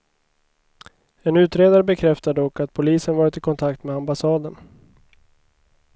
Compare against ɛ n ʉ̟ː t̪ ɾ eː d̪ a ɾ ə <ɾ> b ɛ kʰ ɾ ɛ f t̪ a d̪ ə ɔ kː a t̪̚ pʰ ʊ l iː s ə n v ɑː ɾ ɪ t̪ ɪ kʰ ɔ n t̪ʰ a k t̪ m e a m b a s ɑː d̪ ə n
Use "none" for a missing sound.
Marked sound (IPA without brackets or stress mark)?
none